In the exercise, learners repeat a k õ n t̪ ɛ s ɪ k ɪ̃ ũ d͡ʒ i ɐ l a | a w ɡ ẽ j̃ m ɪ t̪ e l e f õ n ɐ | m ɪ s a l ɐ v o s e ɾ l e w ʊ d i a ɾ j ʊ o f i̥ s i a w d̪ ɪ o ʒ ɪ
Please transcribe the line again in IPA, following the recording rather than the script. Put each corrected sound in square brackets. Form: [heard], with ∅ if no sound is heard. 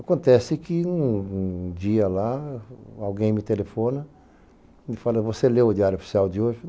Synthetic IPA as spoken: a k õ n t̪ ɛ s ɪ k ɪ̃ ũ d͡ʒ i ɐ l a | a w ɡ ẽ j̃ m ɪ t̪ e l e f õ n ɐ | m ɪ [f] a l ɐ v o s e [∅] l e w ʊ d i a ɾ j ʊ o f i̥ s i a w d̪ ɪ o ʒ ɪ